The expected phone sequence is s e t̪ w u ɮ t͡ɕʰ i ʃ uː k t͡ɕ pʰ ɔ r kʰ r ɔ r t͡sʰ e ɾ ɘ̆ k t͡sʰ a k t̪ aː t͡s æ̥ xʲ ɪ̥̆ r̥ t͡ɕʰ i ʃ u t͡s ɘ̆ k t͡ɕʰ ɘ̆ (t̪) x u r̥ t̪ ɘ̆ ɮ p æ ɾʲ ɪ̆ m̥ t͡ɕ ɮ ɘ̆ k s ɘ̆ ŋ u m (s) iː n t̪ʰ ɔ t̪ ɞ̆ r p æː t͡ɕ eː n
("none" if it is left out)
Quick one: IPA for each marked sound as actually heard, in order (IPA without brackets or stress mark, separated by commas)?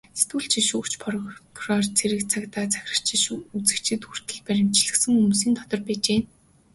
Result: t̪, s